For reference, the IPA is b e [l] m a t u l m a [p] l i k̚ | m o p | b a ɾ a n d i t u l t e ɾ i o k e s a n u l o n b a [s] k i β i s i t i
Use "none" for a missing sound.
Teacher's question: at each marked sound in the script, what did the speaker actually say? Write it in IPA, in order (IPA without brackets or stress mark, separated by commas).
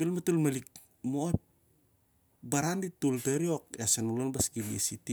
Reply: l, none, s